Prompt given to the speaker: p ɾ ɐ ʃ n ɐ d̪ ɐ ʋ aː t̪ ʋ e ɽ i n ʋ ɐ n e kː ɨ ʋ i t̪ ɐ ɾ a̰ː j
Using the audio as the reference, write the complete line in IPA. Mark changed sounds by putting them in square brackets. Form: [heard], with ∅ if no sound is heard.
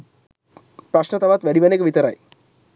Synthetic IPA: p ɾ ɐ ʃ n ɐ [t̪] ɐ ʋ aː t̪ ʋ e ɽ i [∅] ʋ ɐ n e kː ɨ ʋ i t̪ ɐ ɾ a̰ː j